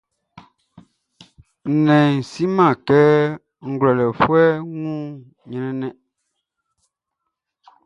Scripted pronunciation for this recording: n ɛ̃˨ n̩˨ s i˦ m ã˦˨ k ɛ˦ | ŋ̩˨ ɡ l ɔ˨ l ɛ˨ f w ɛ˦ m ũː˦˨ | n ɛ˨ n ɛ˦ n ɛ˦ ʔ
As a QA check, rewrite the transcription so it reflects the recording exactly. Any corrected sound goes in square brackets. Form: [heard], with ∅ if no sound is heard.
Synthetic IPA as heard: n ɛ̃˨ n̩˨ s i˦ m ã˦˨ k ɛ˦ | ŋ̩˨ ɡ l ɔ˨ l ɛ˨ f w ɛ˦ [ŋ] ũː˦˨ | [ɲ] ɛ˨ n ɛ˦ n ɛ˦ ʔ